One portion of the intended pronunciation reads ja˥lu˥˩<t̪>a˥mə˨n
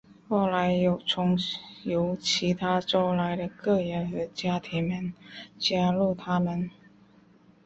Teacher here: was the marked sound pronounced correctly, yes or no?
no